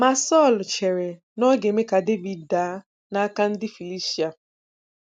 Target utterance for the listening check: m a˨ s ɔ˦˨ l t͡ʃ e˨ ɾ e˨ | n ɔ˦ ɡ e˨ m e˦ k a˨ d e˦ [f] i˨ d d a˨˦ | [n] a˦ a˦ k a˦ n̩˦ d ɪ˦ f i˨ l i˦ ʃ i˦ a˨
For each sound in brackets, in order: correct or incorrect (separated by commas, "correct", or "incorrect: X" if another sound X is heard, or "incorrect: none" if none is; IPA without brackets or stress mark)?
incorrect: v, correct